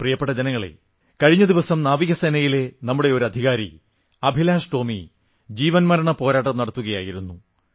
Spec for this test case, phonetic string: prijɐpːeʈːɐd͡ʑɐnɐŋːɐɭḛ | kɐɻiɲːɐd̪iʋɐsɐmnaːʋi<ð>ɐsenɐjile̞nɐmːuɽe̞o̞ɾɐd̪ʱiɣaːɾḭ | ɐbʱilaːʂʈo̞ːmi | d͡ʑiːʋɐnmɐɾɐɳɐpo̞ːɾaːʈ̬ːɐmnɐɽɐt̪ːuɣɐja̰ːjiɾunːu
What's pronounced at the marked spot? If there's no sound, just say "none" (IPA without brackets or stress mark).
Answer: ɣ